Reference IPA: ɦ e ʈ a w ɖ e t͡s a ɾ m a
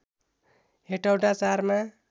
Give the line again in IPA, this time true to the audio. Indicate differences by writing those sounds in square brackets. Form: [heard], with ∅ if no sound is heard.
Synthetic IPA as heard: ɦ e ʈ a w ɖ [a] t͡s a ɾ m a